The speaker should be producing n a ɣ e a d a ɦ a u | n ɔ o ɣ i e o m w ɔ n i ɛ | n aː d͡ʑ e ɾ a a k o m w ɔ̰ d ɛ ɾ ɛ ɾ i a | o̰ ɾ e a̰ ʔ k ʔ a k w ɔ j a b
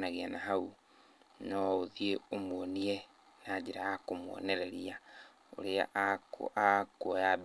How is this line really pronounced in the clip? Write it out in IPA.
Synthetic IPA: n a ɣ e a n a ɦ a u | n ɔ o ð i e o m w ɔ n i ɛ | n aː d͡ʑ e ɾ a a k o m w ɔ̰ n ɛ ɾ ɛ ɾ i a | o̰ ɾ e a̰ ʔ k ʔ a k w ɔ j a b